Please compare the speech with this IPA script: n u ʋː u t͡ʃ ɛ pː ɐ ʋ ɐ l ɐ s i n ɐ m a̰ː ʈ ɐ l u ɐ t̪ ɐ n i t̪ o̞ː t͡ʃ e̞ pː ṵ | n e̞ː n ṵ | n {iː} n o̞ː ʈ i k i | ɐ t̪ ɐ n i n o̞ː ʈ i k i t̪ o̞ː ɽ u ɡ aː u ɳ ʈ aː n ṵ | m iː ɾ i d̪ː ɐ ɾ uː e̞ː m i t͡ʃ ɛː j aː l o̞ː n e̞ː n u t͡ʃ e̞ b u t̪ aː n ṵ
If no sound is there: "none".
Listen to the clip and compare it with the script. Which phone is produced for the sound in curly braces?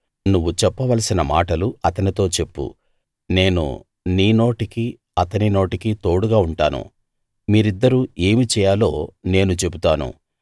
iː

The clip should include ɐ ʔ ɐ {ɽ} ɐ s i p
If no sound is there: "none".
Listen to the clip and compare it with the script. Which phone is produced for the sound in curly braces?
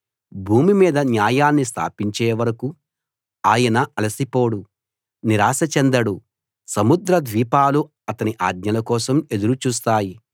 l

